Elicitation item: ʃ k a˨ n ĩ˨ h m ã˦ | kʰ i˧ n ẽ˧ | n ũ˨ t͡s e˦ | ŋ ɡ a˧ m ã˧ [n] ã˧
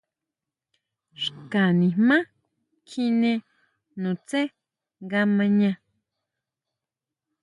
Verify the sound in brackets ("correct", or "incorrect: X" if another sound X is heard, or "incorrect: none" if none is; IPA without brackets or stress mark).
incorrect: ɲ